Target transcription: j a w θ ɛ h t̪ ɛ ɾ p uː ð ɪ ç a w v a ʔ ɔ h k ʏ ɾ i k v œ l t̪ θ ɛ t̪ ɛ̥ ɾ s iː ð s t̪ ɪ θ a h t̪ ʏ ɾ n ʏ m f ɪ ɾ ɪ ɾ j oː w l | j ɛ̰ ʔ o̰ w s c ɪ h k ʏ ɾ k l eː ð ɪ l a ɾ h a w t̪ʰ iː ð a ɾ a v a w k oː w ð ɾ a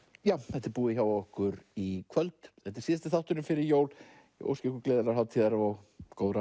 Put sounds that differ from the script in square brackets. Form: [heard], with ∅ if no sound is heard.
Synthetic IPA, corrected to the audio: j a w θ ɛ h t̪ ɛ ɾ p uː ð ɪ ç a w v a [∅] ɔ h k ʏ ɾ i [kʰ] v œ l t̪ θ ɛ t̪ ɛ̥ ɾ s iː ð s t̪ ɪ θ a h t̪ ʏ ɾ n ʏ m f ɪ ɾ ɪ ɾ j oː w l | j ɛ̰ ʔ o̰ w s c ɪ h k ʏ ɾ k l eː ð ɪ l a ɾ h a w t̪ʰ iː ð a ɾ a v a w k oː w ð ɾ a